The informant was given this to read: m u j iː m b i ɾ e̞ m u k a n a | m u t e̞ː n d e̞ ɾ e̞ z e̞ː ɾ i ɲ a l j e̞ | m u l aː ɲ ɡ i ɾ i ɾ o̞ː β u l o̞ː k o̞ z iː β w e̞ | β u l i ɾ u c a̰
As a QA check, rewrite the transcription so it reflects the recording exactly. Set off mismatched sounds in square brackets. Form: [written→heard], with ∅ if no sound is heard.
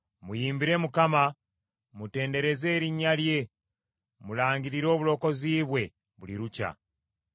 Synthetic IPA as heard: m u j iː m b i ɾ e̞ m u k a [n→m] a | m u t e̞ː n d e̞ ɾ e̞ z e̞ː ɾ i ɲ a l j e̞ | m u l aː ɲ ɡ i ɾ i ɾ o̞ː β u l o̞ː k o̞ z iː β w e̞ | β u l i ɾ u c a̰